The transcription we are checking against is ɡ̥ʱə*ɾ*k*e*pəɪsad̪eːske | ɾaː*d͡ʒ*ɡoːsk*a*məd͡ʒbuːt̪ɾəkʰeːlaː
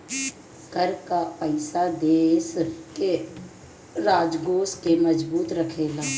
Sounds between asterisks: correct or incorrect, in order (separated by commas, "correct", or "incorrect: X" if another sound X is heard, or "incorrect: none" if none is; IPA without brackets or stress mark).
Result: correct, incorrect: a, correct, incorrect: e